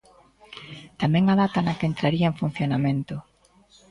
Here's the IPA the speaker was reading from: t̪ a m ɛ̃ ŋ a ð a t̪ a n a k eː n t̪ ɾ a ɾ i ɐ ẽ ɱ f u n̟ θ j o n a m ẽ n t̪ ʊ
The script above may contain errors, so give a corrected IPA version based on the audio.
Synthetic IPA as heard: t̪ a m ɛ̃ ŋ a ð a t̪ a n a k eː n t̪ ɾ a ɾ i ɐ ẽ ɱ f u n̟ θ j o n a m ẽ n t̪ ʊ